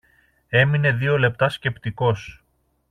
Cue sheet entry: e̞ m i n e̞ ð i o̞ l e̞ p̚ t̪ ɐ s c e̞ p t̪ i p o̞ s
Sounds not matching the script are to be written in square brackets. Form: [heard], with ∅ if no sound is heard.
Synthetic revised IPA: e̞ m i n e̞ ð i o̞ l e̞ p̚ t̪ ɐ s c e̞ p t̪ i [k] o̞ s